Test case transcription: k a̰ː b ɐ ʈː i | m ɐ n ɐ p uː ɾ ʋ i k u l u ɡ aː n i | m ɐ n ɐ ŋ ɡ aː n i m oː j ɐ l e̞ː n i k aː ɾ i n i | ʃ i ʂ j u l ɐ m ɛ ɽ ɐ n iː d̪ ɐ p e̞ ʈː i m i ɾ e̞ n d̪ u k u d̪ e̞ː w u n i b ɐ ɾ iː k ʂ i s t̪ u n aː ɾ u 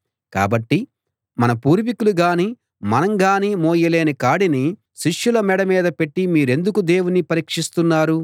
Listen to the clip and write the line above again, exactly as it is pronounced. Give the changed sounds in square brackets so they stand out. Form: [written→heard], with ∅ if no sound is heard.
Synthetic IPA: k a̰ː b ɐ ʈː i | m ɐ n ɐ p uː ɾ ʋ i k u l u ɡ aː n i | m ɐ n ɐ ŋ ɡ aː n i m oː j ɐ l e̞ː n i k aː [ɾ→ɽ] i n i | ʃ i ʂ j u l ɐ m ɛ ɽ ɐ [n→m] iː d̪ ɐ p e̞ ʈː i m [i→iː] ɾ e̞ n d̪ u k u d̪ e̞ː w u n i [b→p] ɐ ɾ iː k ʂ i s t̪ u [n→nː] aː ɾ u